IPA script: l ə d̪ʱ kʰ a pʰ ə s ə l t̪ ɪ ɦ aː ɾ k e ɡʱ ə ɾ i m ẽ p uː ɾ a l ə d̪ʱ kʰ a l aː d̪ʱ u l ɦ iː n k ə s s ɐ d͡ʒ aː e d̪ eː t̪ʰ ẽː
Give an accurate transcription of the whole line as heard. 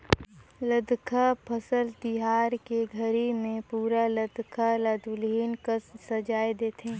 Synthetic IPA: l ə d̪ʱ kʰ a pʰ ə s ə l t̪ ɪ ɦ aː ɾ k e ɡʱ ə ɾ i m ẽ p uː ɾ a l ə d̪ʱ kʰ a l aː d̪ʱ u l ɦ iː n k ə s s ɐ d͡ʒ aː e d̪ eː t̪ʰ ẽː

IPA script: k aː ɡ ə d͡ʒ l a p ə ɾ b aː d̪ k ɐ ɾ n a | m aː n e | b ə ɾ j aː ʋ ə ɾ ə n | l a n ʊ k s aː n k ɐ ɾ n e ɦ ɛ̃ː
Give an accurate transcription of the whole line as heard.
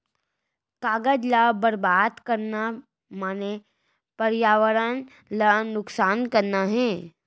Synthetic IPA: k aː ɡ ə d͡ʒ l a b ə ɾ b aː d̪ k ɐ ɾ n a | m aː n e | p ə ɾ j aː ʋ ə ɾ ə n | l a n ʊ k s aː n k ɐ ɾ n a ɦ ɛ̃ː

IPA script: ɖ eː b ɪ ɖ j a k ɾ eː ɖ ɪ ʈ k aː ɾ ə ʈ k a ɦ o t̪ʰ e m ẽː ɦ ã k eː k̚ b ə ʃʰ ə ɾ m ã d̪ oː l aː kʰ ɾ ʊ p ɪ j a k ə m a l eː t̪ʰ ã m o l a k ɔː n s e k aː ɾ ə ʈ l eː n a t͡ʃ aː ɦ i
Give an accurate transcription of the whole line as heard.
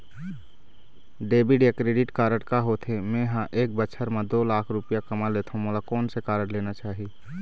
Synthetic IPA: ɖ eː b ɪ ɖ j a k ɾ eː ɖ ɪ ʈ k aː ɾ ə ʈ k a ɦ o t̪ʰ e m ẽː ɦ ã ʔ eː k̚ b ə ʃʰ ə ɾ m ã d̪ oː l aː kʰ ɾ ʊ p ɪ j a k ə m a l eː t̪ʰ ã m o l a k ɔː n s e k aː ɾ ə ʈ l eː n a t͡ʃ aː ɦ i

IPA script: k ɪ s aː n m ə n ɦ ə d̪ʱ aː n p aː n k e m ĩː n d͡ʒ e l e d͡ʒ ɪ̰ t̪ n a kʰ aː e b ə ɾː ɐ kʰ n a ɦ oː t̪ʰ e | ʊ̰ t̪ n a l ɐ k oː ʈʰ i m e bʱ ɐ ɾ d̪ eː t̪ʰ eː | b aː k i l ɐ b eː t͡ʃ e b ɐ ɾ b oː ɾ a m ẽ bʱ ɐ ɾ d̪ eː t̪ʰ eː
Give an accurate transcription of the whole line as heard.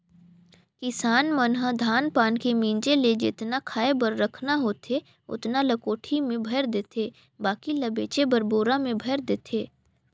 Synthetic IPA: k ɪ s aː n m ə n ɦ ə d̪ʱ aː n p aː n k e m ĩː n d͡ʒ e l e d͡ʒ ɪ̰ t̪ n a kʰ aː e b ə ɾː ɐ kʰ n a ɦ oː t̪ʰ e | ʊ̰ t̪ n a l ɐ k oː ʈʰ i m ẽ bʱ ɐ ɾ d̪ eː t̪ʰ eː | b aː k i l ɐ b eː t͡ʃ e b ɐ ɾ b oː ɾ a m ẽ bʱ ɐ ɾ d̪ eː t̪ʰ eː

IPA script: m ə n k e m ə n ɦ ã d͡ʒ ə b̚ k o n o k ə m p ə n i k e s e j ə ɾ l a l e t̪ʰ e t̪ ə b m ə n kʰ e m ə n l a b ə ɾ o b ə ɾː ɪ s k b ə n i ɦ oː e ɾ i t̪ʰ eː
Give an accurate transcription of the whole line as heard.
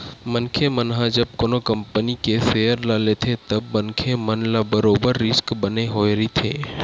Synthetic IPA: m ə n kʰ e m ə n ɦ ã d͡ʒ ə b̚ k o n o k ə m p ə n i k e s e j ə ɾ l a l e t̪ʰ e t̪ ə b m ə n kʰ e m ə n l a b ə ɾ o b ə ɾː ɪ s k b ə n e ɦ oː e ɾ i t̪ʰ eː

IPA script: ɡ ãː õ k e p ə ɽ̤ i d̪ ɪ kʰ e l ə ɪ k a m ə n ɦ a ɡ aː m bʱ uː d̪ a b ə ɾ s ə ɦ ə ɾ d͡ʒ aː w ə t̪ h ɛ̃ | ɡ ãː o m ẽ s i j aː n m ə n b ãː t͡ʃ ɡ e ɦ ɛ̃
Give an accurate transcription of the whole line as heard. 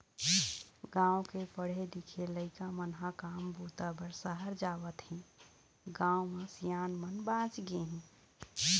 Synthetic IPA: ɡ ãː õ k e p ə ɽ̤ e d̪ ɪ kʰ e l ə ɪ k a m ə n ɦ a k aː m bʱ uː t̪ a b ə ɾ s ə ɦ ə ɾ d͡ʒ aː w ə t̪ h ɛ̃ | ɡ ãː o m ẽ s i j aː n m ə n b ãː t͡ʃ ɡ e ɦ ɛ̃

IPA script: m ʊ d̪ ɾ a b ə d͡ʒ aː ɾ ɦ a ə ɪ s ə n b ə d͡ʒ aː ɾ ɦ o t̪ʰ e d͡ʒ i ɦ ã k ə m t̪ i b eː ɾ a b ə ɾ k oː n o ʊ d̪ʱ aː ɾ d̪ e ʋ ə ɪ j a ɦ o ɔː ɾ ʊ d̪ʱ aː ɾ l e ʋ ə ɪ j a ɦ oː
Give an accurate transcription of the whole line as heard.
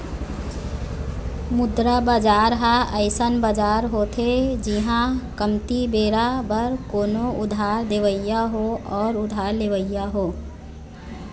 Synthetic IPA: m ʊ d̪ ɾ a b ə d͡ʒ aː ɾ ɦ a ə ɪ s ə n b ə d͡ʒ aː ɾ ɦ o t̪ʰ e d͡ʒ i ɦ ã k ə m t̪ i b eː ɾ a b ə ɾ k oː n o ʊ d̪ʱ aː ɾ d̪ e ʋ ə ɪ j a ɦ o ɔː ɾ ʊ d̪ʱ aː ɾ l e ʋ ə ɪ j a ɦ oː

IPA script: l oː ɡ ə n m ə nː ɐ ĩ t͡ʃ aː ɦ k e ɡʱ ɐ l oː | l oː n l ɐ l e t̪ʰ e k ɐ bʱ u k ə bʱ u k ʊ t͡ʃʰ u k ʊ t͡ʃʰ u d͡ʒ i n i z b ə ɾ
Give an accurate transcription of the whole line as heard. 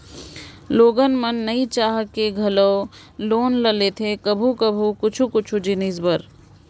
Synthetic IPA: l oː ɡ ə n m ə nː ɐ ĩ t͡ʃ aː ɦ k e ɡʱ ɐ l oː | l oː n l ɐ l e t̪ʰ e k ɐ bʱ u k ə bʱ u k ʊ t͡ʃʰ u k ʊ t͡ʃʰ u d͡ʒ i n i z b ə ɾ

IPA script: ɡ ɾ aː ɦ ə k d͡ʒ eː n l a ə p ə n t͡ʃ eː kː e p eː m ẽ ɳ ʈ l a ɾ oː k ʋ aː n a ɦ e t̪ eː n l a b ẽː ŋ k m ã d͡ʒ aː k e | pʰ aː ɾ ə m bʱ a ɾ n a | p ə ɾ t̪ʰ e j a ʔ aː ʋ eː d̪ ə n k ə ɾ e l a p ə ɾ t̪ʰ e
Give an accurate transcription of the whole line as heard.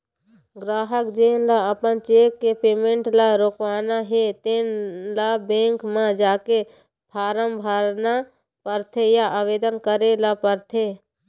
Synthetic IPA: ɡ ɾ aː ɦ ə k d͡ʒ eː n l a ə p ə n t͡ʃ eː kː e p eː m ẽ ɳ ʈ l a ɾ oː k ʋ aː n a ɦ e t̪ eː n l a b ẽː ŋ k m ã d͡ʒ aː k e | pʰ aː ɾ ə m bʱ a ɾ n a | p ə ɾ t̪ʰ e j a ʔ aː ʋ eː d̪ ə n k ə ɾ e l a p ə ɾ t̪ʰ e

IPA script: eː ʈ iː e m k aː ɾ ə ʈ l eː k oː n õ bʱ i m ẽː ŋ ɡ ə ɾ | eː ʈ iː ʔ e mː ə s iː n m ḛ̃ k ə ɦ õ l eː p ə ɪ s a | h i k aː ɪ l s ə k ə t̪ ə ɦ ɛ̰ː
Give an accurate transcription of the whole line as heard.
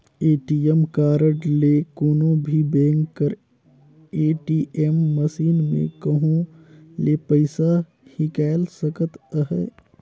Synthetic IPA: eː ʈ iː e m k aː ɾ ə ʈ l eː k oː n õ bʱ i b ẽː ŋ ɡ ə ɾ | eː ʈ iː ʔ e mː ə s iː n m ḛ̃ k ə ɦ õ l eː p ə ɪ s a | h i k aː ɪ l s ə k ə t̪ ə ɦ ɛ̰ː

